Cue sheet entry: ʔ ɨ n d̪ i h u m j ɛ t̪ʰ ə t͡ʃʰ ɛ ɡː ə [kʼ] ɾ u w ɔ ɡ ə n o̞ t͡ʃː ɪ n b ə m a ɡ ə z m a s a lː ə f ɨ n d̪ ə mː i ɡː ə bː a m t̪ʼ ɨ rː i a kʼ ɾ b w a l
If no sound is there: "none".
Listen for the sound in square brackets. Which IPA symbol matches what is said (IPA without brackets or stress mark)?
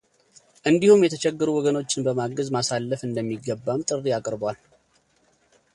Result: none